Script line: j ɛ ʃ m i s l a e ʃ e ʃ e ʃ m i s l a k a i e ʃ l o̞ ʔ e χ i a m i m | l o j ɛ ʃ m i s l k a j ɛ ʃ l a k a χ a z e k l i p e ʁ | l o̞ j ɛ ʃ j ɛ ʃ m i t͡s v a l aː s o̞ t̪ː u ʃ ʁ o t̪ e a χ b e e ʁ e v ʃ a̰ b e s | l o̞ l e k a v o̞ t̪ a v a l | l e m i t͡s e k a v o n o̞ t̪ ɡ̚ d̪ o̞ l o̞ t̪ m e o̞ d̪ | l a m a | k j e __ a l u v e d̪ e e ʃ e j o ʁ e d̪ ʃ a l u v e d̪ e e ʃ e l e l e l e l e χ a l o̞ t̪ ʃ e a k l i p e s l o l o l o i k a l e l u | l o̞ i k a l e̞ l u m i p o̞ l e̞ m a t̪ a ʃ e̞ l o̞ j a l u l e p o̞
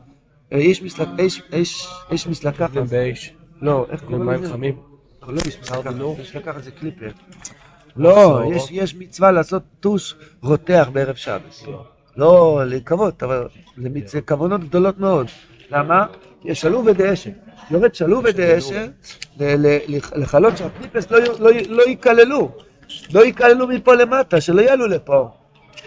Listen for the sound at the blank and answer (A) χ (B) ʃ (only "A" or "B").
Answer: B